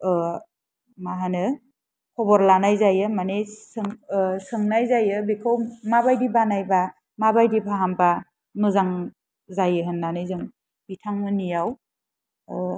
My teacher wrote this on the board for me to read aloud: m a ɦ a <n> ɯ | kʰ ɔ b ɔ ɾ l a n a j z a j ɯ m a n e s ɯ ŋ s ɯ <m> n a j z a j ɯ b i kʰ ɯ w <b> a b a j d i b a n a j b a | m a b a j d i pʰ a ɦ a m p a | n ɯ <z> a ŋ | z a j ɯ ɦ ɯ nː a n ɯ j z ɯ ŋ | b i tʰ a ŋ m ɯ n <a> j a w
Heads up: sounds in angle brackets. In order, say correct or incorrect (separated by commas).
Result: correct, incorrect, incorrect, correct, incorrect